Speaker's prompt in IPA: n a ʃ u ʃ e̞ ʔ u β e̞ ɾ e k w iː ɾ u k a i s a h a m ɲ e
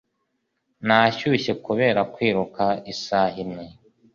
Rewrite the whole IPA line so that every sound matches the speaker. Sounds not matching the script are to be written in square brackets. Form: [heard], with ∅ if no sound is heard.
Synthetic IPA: n a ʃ u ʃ e̞ [k] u β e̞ ɾ [a] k w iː ɾ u k a i s a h [i] m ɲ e